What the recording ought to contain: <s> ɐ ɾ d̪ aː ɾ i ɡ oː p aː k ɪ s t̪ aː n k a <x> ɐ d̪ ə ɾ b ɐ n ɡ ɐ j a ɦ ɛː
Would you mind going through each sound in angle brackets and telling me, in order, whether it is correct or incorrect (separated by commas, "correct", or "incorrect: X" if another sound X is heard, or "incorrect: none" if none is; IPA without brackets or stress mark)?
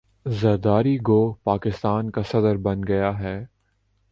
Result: incorrect: z, incorrect: s